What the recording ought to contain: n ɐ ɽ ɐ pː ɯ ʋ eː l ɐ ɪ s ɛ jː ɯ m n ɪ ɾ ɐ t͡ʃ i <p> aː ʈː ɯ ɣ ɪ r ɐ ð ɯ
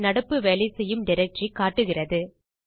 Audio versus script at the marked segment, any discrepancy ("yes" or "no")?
yes